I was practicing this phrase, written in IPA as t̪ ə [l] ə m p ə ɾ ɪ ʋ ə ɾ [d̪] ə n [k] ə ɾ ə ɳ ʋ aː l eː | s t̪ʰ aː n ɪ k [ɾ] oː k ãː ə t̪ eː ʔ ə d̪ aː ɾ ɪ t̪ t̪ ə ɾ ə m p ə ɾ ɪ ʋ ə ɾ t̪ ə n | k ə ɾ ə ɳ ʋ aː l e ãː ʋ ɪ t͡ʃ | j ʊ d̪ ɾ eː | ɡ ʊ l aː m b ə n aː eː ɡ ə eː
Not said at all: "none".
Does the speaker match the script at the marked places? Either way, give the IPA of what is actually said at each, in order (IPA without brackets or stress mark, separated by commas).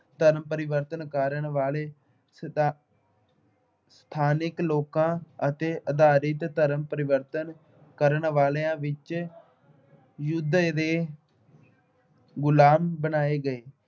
ɾ, t̪, k, l